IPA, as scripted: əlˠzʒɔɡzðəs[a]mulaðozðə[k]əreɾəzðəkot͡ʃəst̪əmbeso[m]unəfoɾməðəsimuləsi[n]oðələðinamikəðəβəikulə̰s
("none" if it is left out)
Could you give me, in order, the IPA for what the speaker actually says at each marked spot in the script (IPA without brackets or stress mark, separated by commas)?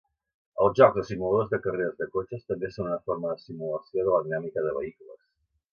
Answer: i, k, n, none